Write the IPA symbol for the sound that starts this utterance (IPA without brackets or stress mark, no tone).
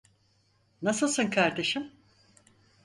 n